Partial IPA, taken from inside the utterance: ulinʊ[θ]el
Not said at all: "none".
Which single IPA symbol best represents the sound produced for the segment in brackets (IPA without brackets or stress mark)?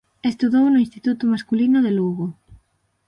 ð